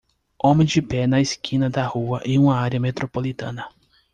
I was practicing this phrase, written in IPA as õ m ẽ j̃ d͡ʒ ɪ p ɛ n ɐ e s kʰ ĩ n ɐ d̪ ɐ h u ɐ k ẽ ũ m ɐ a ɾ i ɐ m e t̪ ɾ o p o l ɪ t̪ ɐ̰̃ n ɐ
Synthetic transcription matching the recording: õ m ẽ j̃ d͡ʒ ɪ p ɛ n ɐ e s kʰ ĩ n ɐ d̪ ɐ h u ɐ ʔ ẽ ũ m ɐ a ɾ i ɐ m e t̪ ɾ o p o l i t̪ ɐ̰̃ n ɐ